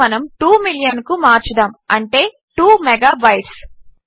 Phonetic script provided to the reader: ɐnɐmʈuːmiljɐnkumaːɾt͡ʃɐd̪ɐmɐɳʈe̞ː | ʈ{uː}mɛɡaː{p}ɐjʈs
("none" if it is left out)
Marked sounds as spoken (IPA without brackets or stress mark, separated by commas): uː, b